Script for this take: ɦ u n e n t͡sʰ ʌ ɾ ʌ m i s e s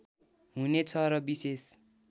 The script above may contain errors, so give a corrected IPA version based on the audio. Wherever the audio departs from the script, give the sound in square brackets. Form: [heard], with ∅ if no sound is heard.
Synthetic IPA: ɦ u n e [∅] t͡sʰ ʌ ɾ ʌ [b] i s e s